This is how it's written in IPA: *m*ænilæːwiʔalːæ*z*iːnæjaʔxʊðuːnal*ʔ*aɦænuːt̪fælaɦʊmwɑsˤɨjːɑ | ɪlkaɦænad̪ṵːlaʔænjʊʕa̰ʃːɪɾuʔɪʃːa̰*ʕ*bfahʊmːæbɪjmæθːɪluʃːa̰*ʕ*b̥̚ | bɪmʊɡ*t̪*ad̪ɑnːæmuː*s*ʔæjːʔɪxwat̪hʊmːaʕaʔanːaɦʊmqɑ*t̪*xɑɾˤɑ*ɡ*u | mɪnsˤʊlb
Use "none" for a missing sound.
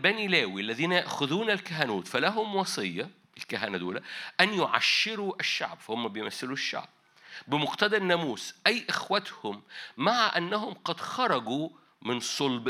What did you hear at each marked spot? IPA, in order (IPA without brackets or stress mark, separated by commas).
b, ð, k, ʕ, ʕ, t̪, s, d̪, ɡ